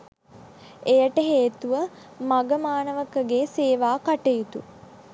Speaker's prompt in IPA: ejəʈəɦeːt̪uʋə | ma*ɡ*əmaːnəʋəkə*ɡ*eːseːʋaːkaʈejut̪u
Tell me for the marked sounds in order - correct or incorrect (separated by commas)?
correct, correct